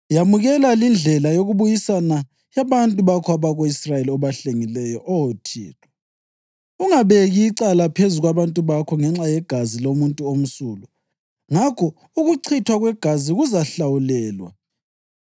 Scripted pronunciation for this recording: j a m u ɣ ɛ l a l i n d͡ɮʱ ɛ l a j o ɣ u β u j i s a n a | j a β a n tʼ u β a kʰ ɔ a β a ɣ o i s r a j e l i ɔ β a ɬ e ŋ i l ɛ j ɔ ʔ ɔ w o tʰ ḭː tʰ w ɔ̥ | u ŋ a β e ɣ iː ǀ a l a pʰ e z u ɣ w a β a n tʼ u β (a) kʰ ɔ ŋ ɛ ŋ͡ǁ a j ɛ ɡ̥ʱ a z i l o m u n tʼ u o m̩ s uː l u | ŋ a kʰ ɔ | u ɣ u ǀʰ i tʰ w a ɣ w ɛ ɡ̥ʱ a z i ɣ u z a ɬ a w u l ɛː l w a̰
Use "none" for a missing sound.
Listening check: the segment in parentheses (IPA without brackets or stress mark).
a